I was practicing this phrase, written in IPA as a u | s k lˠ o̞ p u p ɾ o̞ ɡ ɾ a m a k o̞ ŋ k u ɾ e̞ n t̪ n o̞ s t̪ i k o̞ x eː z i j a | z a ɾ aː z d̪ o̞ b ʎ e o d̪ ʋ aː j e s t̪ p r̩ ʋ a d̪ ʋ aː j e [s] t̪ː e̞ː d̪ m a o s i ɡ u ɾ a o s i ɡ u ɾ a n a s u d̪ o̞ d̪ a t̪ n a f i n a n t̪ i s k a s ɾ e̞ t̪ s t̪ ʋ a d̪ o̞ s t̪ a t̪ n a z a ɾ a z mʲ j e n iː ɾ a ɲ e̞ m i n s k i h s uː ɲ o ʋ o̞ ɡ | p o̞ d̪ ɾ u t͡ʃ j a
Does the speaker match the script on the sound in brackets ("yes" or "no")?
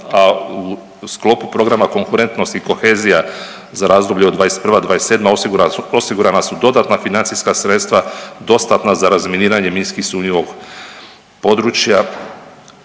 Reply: yes